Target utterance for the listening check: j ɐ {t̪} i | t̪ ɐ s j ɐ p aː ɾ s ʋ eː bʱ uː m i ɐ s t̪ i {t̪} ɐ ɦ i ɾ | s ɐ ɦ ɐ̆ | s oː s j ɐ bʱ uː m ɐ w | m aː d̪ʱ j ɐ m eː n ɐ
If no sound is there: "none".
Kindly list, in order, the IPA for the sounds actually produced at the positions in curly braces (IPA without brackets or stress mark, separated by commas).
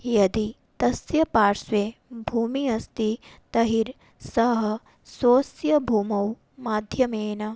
d̪, t̪